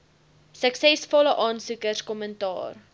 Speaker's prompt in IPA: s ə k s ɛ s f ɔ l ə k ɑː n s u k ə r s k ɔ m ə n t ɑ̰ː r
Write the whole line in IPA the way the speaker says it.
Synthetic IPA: s ə k s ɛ s f ɔ l ə ʔ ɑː n s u k ə r s k ɔ m ə n t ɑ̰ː r